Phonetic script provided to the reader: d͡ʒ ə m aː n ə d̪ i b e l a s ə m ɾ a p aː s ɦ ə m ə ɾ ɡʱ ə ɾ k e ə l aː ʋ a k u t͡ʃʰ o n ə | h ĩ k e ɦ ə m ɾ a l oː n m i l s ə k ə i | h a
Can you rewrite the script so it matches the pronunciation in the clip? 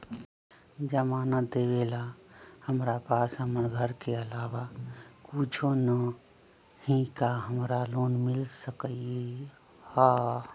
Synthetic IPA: d͡ʒ ə m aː n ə d̪ e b e l a h ə m ɾ a p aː s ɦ ə m ə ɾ ɡʱ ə ɾ k e ə l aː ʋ a k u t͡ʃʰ o n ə | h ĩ k a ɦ ə m ɾ a l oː n m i l s ə k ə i | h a

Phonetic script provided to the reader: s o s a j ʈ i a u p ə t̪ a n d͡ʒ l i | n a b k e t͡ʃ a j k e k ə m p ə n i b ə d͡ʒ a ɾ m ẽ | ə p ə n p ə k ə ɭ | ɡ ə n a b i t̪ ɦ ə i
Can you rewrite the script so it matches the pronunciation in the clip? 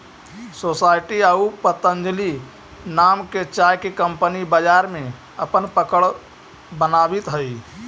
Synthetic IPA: s o s a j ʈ i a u p ə t̪ ə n d͡ʒ l i | n a m k e t͡ʃ a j k e k ə m p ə n i b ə d͡ʒ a ɾ m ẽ | ə p ə n p ə k ə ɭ | b ə n a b i t̪ ɦ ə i

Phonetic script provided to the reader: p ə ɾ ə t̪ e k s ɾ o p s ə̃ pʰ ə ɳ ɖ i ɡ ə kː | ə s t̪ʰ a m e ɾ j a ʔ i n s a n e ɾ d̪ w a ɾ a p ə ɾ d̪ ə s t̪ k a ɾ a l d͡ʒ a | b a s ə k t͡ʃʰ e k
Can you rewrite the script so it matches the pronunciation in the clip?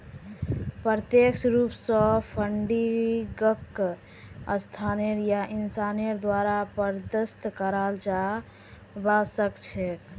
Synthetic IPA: p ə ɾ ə t̪ e k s ɾ u p s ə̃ pʰ ə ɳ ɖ i ɡ ə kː | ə s t̪ʰ a n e ɾ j a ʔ i n s a n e ɾ d̪ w a ɾ a p ə ɾ d̪ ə s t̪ k ə ɾ a l d͡ʒ a | b a s ə k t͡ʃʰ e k

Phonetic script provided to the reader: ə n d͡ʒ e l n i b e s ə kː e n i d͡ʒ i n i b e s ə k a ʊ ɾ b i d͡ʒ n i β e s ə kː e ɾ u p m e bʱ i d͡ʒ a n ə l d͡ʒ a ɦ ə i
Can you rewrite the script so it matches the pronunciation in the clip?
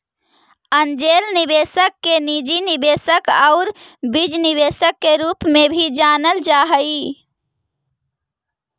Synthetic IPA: ə n d͡ʒ e l n i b e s ə kː e n i d͡ʒ i n i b e s ə k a ʊ ɾ b i d͡ʒ n i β e s ə kː e ɾ u p m e bʱ i d͡ʒ a n ə l d͡ʒ a ɦ ə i

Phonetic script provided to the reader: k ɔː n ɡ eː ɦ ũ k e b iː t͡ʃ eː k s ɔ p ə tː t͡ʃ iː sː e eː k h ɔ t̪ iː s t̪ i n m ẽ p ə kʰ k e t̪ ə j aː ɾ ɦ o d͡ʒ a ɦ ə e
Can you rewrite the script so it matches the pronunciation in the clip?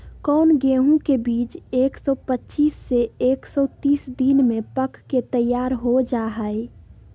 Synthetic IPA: k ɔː n ɡ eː ɦ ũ k e b iː t͡ʃ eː k s ɔ p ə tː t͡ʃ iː sː e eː k s ɔ t̪ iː s d̪ i n m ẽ p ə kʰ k e t̪ ə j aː ɾ ɦ o d͡ʒ a ɦ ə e

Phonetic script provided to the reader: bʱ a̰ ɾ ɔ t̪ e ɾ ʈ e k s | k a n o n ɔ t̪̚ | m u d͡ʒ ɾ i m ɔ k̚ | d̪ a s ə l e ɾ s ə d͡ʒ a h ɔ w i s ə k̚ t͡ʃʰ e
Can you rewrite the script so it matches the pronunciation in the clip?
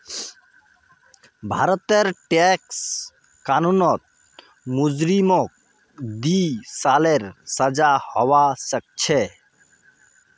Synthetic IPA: bʱ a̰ ɾ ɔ t̪ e ɾ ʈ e k s | k a n u n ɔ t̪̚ | m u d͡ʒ ɾ i m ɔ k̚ | d̪ i s a l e ɾ s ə d͡ʒ a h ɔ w a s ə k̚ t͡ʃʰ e

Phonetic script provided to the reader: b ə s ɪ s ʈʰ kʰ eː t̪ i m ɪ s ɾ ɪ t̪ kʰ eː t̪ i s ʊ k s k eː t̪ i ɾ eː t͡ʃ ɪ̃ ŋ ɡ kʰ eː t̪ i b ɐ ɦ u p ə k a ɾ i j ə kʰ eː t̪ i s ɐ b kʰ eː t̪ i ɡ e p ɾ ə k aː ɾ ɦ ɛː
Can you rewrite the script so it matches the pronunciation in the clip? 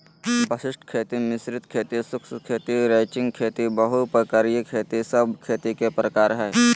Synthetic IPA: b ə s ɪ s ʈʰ kʰ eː t̪ i m ɪ s ɾ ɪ t̪ kʰ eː t̪ i s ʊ k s kʰ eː t̪ i ɾ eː t͡ʃ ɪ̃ ŋ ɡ kʰ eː t̪ i b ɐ ɦ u p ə k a ɾ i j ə kʰ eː t̪ i s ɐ b kʰ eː t̪ i k e p ɾ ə k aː ɾ ɦ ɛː

